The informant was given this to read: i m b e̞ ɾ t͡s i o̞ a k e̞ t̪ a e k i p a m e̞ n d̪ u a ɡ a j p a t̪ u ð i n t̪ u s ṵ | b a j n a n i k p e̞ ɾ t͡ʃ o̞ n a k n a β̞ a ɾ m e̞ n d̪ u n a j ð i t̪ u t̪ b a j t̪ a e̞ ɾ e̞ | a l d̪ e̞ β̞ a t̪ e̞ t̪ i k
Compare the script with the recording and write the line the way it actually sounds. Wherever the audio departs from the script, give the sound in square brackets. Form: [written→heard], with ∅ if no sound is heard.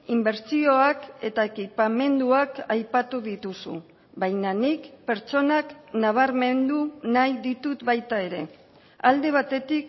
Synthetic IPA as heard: i m b e̞ ɾ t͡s i o̞ a k e̞ t̪ a e k i p a m e̞ n d̪ u a [ɡ→k] a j p a t̪ u ð i [n→∅] t̪ u s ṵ | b a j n a n i k p e̞ ɾ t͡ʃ o̞ n a k n a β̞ a ɾ m e̞ n d̪ u n a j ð i t̪ u t̪ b a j t̪ a e̞ ɾ e̞ | a l d̪ e̞ β̞ a t̪ e̞ t̪ i k